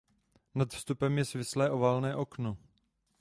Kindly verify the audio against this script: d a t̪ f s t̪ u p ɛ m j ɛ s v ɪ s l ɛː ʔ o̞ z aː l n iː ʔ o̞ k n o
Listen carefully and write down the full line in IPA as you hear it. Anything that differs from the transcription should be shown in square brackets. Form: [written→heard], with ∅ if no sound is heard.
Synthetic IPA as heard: [d→n] a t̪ f s t̪ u p ɛ m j ɛ s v ɪ s l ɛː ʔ o̞ [z→v] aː l n [iː→ɛː] ʔ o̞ k n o